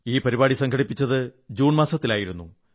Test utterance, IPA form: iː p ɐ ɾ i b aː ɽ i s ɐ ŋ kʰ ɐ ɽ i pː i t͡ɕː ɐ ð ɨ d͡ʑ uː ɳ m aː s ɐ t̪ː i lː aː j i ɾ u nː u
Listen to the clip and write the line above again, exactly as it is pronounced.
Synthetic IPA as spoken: iː p ɐ ɾ i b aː ɽ i s ɐ ŋ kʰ ɐ ɽ i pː i t͡ɕː ɐ ð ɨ d͡ʑ uː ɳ m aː s ɐ t̪ː i l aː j i ɾ u nː u